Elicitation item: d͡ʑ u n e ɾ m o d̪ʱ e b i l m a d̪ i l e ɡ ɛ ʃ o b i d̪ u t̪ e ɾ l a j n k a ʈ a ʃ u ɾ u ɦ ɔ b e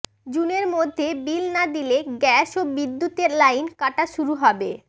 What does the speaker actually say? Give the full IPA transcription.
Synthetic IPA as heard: d͡ʑ u n e ɾ m o d̪ʱː e b i l n a d̪ i l e ɡ ɛ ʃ o b i d̪ː u t̪ e ɾ l a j n k a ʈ a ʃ u ɾ u ɦ ɔ b e